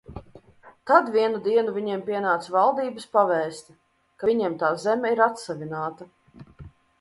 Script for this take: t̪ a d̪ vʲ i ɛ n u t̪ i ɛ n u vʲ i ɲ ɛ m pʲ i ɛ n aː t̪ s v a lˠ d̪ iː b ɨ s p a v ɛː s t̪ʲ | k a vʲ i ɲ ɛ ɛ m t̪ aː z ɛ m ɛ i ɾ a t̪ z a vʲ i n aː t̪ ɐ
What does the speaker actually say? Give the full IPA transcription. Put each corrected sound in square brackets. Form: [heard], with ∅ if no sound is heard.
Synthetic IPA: t̪ a d̪ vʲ i ɛ n u [d̪] i ɛ n u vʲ i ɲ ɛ m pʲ i ɛ n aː t̪ s v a lˠ d̪ iː b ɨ s p a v ɛː s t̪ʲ | k a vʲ i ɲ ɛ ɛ m t̪ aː z ɛ m ɛ i ɾ a t̪ [s] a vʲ i n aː t̪ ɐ